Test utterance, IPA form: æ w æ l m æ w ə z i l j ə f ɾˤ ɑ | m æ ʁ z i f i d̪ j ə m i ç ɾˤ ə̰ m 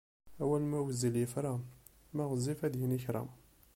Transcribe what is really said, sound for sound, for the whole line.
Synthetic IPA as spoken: æ w æ l m æ w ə z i l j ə f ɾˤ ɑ | m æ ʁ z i f æ d̪ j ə n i ç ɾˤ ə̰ m